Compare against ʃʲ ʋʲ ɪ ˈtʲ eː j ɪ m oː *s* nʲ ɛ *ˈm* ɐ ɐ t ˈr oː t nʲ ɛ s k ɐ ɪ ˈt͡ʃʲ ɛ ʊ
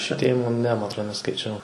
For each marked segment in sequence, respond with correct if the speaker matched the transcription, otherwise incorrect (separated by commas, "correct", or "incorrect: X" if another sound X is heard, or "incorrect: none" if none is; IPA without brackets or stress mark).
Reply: incorrect: none, correct